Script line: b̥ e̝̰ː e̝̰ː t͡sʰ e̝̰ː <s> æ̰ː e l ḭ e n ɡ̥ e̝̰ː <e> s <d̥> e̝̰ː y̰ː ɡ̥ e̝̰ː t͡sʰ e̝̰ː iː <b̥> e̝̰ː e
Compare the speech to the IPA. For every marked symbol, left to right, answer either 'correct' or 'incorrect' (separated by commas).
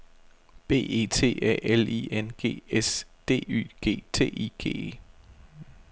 incorrect, correct, correct, incorrect